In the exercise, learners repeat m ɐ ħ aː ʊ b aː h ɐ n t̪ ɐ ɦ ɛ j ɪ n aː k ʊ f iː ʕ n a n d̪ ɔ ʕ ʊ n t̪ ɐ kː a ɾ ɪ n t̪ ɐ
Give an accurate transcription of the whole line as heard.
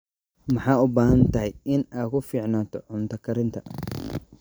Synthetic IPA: m ɐ ħ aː ʊ b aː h ɐ n t̪ ɐ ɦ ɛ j ɪ n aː k ʊ f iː ʕ n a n t̪ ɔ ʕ ʊ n t̪ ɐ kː ɐ ɾ ɪ n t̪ ɐ

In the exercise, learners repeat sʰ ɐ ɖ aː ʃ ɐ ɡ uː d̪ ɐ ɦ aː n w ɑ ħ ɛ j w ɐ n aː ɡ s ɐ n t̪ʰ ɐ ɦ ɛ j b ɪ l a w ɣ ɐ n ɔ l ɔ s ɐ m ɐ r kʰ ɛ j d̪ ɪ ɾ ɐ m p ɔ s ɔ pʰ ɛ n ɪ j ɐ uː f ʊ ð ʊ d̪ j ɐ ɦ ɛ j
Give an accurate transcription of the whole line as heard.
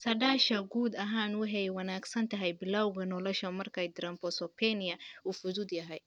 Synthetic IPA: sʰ ɐ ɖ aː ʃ ɐ ɡ uː d̪ ɐ ɦ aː n w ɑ ħ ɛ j w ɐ n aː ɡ s ɐ n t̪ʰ ɐ ɦ ɛ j b ɪ l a w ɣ ɐ n ɔ l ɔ ʃ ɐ m ɐ r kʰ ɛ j d̪ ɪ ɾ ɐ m p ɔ s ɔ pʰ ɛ n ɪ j ɐ uː f ʊ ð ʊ d̪ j ɐ ɦ ɛ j

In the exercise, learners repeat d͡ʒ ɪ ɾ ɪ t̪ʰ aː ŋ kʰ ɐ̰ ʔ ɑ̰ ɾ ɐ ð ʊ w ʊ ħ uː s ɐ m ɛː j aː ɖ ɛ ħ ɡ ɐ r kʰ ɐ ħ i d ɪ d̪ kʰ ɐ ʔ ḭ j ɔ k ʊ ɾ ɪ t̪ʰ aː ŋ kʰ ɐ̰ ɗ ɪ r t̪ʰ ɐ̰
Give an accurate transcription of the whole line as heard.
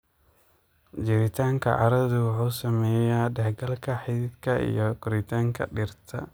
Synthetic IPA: d͡ʒ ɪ ɾ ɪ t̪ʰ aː ŋ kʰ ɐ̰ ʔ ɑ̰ ɾ ɐ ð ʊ w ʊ ħ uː s ɐ m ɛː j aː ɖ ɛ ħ ɡ ɐ l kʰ ɐ ħ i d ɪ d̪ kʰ ɐ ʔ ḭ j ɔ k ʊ ɾ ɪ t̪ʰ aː ŋ kʰ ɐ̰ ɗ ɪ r t̪ʰ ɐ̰

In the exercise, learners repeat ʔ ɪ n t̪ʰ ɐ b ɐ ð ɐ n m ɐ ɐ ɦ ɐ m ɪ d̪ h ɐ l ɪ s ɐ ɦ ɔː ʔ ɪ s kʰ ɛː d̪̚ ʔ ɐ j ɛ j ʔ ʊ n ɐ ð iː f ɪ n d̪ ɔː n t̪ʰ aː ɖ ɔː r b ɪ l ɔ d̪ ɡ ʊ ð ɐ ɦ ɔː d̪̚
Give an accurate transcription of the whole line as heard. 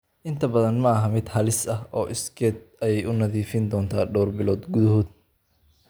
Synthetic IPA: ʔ ɪ n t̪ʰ ɐ b ɐ ð ɐ n m ɐ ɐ ɦ ɐ m ɪ d̪ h ɐ l ɪ s ɐ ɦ ɔː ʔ ɪ s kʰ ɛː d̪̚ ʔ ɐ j ɛ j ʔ ʊ n ɐ ð iː f ɪ n d̪ ɔː n t̪ʰ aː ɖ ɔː r b ɪ l ɔː d̪ ɡ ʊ ð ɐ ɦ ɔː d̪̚

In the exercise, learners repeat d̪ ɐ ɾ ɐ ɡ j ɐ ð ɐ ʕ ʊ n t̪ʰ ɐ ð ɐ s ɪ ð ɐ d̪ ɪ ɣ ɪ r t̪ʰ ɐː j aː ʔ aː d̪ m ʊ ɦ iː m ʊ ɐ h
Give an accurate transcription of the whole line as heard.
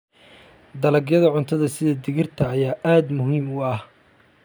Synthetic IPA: d̪ ɐ l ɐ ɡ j ɐ ð ɐ ʕ ʊ n t̪ʰ ɐ ð ɐ s ɪ ð ɐ d̪ ɪ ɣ ɪ r t̪ʰ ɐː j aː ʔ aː d̪ m ʊ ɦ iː m ʊ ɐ h

